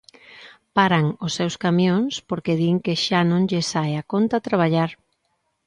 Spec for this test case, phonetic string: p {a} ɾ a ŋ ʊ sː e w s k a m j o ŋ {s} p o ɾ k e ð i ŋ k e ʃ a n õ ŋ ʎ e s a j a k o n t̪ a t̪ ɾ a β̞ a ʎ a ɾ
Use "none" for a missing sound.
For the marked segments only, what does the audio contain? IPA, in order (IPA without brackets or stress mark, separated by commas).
a, s